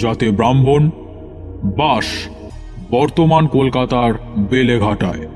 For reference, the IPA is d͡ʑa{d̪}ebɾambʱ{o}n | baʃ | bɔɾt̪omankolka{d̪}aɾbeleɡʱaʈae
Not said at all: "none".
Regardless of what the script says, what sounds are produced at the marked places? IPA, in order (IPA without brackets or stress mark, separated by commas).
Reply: t̪, o, t̪